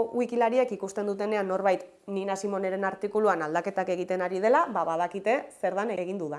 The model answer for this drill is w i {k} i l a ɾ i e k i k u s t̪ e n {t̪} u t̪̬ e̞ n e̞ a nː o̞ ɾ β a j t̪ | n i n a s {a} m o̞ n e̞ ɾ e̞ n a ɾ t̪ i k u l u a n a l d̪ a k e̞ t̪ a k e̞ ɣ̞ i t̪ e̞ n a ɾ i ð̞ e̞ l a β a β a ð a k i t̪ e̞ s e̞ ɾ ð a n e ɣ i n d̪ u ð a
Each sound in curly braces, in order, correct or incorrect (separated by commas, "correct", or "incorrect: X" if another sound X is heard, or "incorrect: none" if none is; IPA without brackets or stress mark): correct, incorrect: d̪, incorrect: i